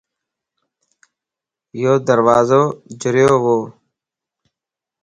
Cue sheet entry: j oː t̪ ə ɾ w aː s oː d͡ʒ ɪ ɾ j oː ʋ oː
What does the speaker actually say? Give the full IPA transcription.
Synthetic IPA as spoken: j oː d̪ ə ɾ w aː z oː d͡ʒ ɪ ɾ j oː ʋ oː